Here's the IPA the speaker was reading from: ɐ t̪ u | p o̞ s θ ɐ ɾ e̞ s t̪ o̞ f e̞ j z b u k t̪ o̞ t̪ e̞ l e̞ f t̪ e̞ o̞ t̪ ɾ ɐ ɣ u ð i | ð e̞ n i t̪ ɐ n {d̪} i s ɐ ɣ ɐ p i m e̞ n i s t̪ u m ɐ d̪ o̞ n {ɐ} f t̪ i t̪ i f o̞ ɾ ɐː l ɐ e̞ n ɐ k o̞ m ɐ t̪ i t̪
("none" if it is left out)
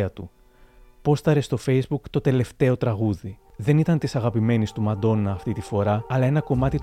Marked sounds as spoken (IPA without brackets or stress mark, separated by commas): t̪, ɐː